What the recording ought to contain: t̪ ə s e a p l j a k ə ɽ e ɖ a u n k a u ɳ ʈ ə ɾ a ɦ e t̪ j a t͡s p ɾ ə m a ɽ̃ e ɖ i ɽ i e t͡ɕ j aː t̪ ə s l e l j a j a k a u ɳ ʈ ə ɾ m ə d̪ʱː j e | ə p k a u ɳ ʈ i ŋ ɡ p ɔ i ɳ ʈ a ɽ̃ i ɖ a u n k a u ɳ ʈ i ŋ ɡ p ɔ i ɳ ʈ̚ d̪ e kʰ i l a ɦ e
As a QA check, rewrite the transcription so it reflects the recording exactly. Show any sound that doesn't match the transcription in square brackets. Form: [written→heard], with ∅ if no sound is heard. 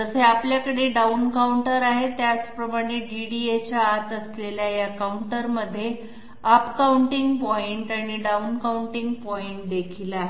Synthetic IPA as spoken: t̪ ə s e a p l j a k ə ɽ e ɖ a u n k a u ɳ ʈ ə ɾ a ɦ e t̪ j a t͡s p ɾ ə m a ɽ̃ e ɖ i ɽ i e t͡ɕ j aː t̪ ə s l e l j a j a k a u ɳ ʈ ə ɾ m ə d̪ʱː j e | ə p k a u ɳ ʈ i ŋ ɡ p ɔ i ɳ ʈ a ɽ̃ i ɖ a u n k a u ɳ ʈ i ŋ ɡ p ɔ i ɳ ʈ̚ d̪ e kʰ i l a ɦ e